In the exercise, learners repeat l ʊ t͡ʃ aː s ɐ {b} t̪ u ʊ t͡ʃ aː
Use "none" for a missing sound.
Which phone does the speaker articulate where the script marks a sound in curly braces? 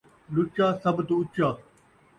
b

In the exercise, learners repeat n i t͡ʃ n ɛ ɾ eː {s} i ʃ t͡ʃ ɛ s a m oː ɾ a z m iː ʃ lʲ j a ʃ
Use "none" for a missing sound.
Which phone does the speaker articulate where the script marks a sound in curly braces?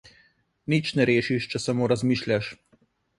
ʃ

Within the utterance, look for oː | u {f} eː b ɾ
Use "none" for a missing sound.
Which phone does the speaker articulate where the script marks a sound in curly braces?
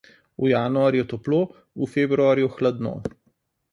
f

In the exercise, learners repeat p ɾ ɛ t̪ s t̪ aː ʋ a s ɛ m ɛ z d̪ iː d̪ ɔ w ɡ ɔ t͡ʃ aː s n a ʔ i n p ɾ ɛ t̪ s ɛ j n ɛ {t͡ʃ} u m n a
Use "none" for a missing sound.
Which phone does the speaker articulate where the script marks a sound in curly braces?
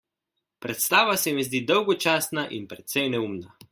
none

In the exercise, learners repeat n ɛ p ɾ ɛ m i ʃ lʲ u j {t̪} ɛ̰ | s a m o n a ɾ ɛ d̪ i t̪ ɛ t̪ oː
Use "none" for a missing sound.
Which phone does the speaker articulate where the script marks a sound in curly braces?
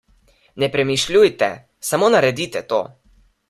t̪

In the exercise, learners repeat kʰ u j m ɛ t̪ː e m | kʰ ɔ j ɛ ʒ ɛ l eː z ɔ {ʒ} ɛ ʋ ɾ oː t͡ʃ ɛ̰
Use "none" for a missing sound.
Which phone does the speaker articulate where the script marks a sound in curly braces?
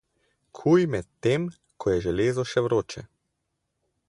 ʃ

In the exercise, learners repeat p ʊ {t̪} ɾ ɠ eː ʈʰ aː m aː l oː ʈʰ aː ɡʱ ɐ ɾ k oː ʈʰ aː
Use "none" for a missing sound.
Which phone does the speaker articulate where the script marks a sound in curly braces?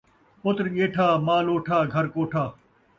t̪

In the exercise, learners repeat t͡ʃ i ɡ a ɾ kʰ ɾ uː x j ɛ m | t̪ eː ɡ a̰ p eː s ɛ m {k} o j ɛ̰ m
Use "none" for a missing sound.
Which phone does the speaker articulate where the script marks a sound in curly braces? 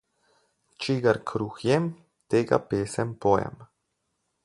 p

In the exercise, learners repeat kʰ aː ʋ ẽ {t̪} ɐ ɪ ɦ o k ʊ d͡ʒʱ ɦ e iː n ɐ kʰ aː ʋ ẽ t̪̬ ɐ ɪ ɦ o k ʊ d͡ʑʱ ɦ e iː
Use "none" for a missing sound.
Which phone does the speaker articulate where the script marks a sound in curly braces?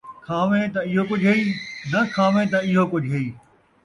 t̪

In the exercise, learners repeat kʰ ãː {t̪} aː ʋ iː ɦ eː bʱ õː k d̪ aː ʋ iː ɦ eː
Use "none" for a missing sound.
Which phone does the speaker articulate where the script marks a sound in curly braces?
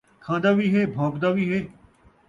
d̪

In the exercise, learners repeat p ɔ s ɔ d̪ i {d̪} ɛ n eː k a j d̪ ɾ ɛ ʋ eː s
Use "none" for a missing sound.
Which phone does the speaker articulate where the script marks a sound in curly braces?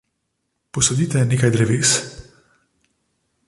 t̪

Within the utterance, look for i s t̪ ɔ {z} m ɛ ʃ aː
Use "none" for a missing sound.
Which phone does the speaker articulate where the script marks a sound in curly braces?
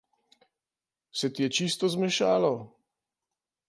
z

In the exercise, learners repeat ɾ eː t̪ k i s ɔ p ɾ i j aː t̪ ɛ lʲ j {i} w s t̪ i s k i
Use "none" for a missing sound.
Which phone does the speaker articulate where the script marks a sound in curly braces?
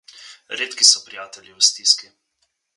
i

